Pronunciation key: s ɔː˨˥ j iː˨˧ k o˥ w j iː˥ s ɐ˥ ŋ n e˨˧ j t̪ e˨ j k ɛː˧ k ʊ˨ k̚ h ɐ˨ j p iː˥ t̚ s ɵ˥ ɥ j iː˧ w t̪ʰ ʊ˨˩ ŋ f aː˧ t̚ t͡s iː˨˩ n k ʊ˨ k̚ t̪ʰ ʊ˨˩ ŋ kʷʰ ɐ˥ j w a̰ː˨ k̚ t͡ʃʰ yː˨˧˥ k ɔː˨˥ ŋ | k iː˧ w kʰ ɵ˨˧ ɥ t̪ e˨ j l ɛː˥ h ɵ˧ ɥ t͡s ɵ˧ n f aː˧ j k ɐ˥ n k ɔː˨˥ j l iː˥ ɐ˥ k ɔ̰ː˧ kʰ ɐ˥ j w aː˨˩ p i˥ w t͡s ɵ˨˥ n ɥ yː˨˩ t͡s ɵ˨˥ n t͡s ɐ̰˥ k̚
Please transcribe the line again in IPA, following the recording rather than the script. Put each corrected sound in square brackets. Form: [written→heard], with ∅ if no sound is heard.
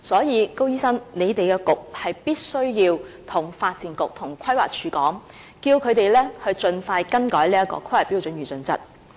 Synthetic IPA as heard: s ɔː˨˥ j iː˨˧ k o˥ w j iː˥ s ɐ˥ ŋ n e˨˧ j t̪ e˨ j k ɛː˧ k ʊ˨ k̚ h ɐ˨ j p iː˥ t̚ s ɵ˥ ɥ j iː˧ w t̪ʰ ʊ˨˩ ŋ f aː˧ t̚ t͡s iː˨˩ n k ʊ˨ k̚ t̪ʰ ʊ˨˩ ŋ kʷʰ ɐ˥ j w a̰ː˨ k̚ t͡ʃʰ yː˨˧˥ k ɔː˨˥ ŋ | k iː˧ w kʰ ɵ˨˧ ɥ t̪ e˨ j l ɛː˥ h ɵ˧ ɥ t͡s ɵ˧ n f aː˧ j k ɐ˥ n k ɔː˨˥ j l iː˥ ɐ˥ k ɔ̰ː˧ kʰ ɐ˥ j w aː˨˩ p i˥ w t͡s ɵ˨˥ n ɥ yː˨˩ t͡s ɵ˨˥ n t͡s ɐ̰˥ [k̚→t̚]